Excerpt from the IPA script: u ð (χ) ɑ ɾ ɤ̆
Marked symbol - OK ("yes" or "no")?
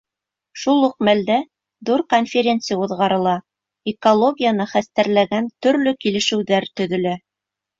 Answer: no